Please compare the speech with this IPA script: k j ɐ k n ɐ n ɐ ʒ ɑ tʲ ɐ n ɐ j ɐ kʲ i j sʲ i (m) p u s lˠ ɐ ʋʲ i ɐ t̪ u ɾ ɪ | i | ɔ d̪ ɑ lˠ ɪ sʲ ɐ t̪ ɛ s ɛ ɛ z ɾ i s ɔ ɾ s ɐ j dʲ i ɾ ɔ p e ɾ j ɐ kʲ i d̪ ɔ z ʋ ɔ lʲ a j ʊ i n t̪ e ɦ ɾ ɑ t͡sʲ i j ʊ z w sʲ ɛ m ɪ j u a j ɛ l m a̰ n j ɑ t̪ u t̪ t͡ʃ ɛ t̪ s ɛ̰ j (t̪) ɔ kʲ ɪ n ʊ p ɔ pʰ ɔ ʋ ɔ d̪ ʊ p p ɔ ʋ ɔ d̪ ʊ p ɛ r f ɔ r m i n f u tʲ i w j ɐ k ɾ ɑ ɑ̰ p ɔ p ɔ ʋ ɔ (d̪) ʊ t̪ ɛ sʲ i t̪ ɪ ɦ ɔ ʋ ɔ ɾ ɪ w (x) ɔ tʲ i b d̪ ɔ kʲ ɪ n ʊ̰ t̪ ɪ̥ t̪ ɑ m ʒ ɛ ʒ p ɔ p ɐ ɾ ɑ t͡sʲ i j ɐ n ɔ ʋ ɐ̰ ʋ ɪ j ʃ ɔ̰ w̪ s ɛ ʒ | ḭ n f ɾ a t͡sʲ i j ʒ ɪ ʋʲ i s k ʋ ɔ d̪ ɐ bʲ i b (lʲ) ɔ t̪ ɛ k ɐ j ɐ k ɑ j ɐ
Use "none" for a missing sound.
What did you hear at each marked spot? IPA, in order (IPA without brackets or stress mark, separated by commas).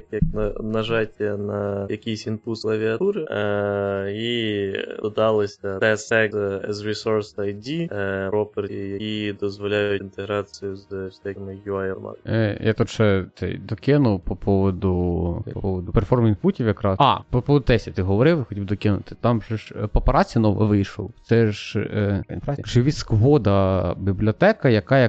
n, d̪, d̪, x, lʲ